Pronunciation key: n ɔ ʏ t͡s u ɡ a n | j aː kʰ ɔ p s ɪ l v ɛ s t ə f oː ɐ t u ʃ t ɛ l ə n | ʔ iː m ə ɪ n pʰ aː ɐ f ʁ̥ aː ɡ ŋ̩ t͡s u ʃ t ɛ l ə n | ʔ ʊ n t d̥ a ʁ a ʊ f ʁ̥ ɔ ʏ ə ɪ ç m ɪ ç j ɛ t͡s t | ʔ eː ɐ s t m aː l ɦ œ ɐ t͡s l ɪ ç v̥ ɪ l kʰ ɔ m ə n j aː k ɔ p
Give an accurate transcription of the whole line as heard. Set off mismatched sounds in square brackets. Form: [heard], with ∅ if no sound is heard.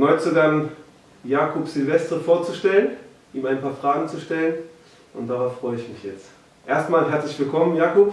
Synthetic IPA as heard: n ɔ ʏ t͡s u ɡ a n | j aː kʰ ɔ p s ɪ l v ɛ s t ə f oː ɐ [t͡s] u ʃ t ɛ l ə n | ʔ iː m [a] ɪ n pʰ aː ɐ f ʁ̥ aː ɡ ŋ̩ t͡s u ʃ t ɛ l ə n | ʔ ʊ n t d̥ a ʁ a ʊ f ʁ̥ ɔ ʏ ə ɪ ç m ɪ ç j ɛ t͡s t | ʔ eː ɐ s t m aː l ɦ [ɛ] ɐ t͡s l ɪ ç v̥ ɪ l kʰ ɔ m ə n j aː k ɔ p